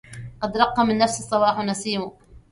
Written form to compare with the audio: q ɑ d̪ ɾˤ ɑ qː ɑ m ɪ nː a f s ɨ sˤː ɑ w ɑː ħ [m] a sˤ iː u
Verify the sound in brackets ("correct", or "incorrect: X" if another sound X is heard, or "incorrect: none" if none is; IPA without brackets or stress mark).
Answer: incorrect: n